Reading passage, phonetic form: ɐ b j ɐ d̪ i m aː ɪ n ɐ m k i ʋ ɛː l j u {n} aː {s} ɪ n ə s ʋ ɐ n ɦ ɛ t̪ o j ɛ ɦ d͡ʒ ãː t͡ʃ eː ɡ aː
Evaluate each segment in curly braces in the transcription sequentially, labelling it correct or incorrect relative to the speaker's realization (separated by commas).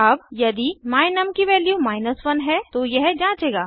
incorrect, incorrect